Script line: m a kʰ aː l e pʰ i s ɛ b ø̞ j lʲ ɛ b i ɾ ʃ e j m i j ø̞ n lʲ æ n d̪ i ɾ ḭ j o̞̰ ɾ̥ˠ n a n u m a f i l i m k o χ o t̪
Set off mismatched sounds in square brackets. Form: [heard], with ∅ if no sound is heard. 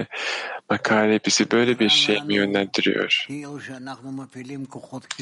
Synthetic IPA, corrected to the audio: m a kʰ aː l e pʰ i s [i] b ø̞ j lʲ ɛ b i ɾ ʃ e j m i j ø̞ n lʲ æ n d̪ i ɾ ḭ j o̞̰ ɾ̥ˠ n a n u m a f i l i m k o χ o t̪